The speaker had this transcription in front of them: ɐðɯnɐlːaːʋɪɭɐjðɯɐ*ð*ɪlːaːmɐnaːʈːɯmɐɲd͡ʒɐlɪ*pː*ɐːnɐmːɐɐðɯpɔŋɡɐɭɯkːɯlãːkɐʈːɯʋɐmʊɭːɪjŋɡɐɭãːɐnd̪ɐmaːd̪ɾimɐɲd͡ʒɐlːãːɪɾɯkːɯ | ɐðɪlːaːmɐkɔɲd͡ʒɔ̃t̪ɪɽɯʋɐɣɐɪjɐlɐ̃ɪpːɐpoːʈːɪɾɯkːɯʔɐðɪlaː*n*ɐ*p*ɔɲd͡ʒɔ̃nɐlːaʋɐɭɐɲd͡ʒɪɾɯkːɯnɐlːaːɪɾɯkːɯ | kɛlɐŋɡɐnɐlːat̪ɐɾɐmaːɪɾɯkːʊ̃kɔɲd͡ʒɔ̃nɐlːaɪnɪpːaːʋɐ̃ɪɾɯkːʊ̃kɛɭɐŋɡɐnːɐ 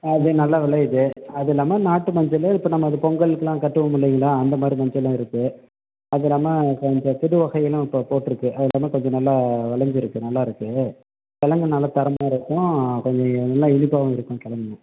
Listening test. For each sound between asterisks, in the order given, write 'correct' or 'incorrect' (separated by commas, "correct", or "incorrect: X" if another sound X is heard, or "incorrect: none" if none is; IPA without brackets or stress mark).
correct, correct, incorrect: m, incorrect: k